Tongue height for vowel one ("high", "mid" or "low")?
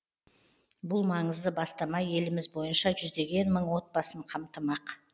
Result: high